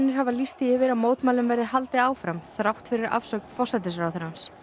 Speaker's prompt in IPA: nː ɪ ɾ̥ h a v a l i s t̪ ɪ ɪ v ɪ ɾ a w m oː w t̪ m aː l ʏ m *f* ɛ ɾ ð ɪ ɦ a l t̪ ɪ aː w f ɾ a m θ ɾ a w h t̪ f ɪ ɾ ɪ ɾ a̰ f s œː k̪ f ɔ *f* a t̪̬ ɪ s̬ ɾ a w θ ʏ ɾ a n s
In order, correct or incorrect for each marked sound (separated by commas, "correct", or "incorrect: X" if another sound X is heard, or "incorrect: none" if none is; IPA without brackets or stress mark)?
incorrect: v, incorrect: s